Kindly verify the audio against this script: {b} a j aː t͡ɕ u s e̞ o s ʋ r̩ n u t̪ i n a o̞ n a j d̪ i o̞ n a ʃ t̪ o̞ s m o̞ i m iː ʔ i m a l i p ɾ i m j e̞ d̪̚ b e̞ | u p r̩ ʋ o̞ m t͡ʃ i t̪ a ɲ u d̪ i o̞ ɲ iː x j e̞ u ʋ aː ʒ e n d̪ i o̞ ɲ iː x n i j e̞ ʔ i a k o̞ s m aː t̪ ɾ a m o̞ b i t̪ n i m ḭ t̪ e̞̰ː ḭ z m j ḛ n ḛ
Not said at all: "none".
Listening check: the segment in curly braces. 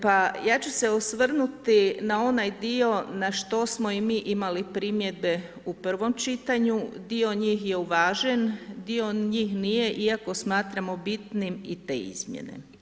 p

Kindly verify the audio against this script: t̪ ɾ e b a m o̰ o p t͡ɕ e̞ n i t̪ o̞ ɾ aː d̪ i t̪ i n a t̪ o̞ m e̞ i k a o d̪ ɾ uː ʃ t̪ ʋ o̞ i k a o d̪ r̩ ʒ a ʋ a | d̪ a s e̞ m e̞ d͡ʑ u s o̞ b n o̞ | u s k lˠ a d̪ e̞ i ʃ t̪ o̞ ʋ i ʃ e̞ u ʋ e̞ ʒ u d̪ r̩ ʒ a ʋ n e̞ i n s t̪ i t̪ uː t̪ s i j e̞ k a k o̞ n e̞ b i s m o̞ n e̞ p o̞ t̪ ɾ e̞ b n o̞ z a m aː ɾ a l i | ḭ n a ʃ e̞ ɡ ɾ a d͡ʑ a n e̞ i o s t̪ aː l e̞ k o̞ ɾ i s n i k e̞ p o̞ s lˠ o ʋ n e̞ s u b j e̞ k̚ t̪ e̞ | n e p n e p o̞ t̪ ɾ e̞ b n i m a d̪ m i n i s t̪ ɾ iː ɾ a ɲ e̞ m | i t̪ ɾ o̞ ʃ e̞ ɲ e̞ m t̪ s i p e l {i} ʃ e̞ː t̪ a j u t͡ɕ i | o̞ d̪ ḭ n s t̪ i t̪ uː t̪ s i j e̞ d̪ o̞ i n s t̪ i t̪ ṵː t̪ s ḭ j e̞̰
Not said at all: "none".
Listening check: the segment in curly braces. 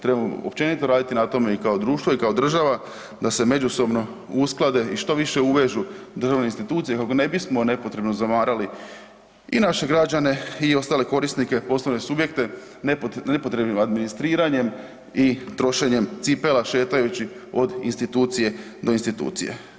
a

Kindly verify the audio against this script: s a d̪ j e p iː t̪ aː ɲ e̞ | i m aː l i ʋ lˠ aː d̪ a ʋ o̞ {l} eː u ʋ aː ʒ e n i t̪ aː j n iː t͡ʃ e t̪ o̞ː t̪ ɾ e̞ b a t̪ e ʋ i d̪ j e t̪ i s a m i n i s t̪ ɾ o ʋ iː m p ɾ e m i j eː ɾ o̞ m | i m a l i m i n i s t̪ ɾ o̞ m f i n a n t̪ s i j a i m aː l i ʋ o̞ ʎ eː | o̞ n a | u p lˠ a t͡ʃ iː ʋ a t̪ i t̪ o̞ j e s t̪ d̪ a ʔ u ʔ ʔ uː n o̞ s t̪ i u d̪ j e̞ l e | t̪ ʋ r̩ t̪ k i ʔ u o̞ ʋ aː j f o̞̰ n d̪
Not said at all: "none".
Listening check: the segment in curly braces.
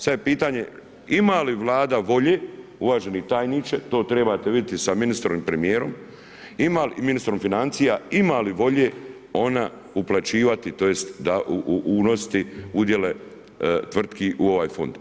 ʎ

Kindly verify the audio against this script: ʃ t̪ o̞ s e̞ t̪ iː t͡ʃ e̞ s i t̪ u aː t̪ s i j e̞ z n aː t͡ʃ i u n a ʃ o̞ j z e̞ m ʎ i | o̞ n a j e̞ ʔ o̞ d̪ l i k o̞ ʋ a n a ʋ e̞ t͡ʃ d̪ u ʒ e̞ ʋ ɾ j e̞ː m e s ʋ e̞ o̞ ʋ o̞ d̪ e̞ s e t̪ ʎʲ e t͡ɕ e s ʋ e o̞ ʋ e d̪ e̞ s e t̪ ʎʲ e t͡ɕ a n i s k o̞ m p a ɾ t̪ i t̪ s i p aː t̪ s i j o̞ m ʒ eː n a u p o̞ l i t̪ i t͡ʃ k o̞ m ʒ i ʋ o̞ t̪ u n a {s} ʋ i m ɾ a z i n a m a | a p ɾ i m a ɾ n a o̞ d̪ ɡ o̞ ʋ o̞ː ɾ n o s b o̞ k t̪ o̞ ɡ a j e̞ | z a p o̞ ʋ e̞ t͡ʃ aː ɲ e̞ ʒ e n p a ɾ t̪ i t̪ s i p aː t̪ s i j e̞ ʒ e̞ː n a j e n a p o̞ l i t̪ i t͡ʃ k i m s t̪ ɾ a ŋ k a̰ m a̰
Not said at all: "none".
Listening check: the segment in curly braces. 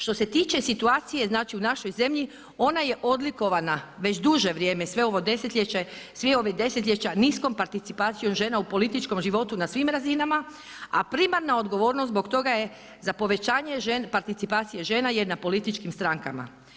s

